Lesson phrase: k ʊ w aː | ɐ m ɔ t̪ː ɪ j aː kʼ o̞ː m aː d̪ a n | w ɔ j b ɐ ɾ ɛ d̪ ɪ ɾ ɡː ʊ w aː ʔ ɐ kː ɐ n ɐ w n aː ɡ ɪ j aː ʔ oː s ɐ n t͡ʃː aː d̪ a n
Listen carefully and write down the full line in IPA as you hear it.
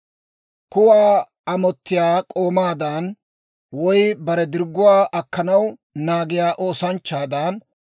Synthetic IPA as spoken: k ʊ w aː | ɐ m ɔ t̪ː ɪ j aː kʼ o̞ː m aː d̪ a n | w ɔ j b ɐ ɾ ɛ d̪ ɪ ɾ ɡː ʊ w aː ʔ ɐ kː ɐ n ɐ w n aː ɡ ɪ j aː ʔ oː s ɐ n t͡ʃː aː d̪ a n